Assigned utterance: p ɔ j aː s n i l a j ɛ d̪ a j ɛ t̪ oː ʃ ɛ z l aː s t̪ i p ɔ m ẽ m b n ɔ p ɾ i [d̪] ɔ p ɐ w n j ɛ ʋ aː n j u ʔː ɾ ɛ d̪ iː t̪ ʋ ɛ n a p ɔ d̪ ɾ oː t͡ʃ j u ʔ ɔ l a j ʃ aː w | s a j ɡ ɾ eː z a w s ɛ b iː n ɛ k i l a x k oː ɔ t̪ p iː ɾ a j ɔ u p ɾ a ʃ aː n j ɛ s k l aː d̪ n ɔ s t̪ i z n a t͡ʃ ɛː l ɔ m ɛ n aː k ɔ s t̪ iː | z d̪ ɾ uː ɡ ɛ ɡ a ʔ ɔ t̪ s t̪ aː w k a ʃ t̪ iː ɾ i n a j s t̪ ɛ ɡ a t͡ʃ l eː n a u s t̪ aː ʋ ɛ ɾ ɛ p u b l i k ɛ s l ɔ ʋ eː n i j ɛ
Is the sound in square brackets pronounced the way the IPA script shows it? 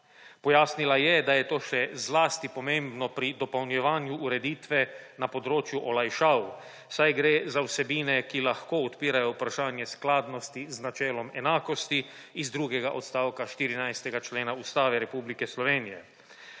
yes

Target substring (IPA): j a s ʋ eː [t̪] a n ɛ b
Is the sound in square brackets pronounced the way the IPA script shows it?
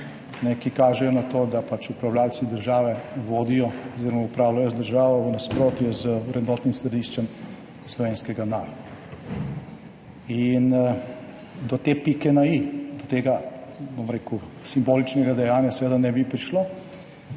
no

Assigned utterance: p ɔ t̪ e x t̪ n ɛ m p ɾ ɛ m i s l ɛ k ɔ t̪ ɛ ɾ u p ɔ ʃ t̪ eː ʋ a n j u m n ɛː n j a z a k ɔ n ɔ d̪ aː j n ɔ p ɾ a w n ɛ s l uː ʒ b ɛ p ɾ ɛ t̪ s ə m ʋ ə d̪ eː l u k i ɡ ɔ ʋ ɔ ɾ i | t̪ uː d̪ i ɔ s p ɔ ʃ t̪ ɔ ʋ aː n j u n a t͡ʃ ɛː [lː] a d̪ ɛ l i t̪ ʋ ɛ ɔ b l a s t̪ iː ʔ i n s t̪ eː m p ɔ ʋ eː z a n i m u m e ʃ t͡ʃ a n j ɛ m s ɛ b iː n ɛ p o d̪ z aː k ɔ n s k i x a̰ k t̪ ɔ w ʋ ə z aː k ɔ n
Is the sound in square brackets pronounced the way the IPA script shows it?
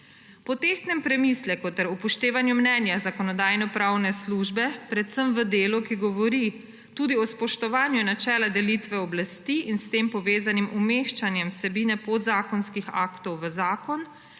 no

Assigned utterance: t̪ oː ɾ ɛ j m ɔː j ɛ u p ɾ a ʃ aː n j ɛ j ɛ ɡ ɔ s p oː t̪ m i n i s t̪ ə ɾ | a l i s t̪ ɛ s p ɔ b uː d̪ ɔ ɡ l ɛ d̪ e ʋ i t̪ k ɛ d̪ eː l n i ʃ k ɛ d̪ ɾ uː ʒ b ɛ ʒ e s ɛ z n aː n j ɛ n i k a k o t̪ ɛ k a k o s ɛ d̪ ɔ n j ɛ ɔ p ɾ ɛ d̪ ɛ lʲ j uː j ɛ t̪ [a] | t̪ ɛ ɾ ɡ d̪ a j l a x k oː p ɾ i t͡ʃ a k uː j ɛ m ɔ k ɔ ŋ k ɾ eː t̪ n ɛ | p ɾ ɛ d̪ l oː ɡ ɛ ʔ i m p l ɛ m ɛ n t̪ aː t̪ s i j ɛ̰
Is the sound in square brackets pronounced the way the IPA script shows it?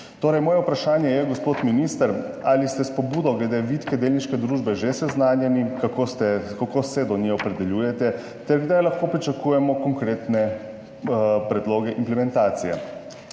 no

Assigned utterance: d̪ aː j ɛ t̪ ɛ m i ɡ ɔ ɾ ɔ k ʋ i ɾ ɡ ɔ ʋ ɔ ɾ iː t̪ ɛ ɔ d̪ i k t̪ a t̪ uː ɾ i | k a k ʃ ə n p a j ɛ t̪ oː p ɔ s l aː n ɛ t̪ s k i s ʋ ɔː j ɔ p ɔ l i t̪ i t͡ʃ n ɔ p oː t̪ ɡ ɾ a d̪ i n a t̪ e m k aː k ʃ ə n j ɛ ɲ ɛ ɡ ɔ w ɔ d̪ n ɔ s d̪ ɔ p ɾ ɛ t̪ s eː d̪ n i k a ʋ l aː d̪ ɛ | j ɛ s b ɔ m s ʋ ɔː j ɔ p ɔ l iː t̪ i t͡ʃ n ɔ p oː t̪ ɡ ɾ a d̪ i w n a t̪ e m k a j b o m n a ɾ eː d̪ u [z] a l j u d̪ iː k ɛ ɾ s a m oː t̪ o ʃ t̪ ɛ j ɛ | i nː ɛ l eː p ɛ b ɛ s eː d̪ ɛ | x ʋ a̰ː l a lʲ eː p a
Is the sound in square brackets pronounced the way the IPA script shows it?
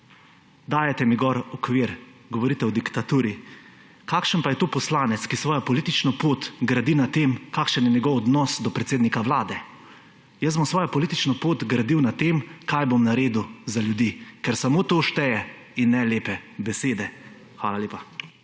yes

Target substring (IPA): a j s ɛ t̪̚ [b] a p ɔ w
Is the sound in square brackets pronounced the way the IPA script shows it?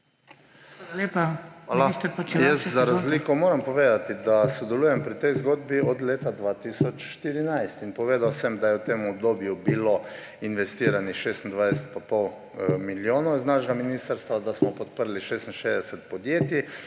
no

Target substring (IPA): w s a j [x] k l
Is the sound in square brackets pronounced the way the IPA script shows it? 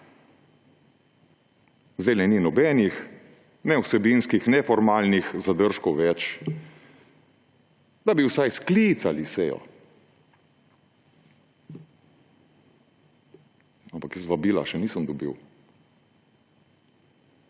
no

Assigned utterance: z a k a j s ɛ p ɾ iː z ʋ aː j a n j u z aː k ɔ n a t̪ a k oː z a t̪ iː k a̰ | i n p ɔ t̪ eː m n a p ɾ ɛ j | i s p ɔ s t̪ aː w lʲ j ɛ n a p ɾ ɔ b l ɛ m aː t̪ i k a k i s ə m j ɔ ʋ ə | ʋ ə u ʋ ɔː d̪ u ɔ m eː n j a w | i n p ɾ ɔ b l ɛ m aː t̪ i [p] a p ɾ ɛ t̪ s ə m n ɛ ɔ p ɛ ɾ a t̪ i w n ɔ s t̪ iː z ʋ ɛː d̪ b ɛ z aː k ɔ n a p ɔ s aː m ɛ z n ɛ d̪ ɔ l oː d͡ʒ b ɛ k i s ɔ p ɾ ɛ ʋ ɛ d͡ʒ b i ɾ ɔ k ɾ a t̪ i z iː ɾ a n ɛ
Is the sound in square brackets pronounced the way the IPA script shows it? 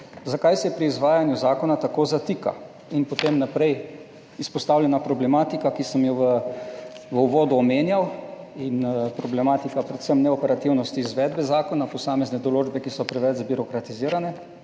no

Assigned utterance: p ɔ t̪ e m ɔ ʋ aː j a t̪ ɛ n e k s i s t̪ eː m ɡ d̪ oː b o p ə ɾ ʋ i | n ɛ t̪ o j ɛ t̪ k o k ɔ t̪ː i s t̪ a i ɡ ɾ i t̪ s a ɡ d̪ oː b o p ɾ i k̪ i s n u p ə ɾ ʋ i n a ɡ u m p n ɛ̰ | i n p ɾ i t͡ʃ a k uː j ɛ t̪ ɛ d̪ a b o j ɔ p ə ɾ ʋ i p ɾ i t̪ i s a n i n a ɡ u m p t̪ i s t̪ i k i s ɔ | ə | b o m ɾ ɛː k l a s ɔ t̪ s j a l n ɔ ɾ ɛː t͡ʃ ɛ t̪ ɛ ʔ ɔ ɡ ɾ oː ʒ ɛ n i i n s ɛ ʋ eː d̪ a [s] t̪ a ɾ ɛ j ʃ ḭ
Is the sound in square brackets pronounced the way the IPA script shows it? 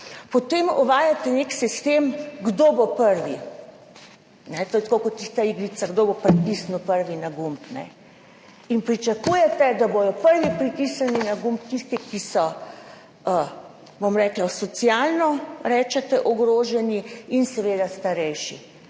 yes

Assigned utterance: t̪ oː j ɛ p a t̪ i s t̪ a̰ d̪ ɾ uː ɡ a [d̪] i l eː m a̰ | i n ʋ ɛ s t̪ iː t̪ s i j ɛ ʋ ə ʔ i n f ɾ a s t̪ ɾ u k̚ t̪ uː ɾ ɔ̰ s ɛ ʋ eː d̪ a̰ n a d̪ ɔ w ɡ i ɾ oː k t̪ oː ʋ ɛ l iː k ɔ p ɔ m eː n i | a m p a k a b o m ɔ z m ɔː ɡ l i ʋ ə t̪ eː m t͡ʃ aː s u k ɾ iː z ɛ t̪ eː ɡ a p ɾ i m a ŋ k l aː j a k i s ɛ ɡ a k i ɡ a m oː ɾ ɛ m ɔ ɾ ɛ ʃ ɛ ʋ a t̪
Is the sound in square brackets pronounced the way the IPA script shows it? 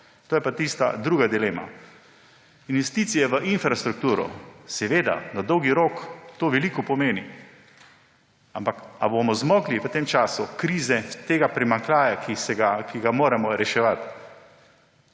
yes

